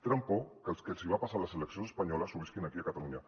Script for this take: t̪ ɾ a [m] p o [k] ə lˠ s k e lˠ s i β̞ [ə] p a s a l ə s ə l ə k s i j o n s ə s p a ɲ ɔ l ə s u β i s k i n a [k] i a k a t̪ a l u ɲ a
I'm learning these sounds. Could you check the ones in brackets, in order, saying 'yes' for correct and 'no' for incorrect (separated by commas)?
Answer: yes, yes, no, yes